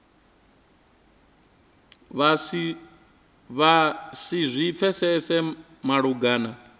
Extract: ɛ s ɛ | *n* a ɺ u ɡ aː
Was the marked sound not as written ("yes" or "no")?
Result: yes